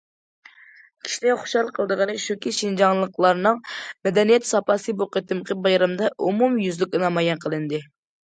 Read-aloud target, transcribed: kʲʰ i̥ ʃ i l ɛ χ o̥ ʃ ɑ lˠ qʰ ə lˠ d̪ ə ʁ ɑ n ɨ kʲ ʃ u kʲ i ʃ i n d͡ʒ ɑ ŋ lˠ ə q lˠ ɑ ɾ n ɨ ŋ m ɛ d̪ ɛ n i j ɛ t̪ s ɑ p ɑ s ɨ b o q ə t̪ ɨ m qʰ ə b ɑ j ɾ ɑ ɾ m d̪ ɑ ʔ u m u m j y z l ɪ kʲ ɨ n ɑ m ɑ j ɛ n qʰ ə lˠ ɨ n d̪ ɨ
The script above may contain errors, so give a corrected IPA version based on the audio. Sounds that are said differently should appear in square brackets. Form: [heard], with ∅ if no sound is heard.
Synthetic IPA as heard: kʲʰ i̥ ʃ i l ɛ χ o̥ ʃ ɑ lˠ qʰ ə lˠ d̪ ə ʁ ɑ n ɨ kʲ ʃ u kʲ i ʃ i n d͡ʒ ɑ ŋ lˠ ə q lˠ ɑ ɾ n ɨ ŋ m ɛ d̪ ɛ n i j ɛ t̪ s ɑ p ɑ s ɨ b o q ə t̪ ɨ m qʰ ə b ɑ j ɾ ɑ [∅] m d̪ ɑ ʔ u m u m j y z l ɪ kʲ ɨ n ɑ m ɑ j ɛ n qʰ ə lˠ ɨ n d̪ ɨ